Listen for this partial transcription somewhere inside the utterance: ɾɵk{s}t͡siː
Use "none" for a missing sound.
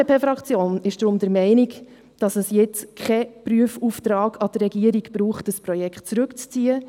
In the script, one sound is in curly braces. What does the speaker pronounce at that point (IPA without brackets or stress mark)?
t͡s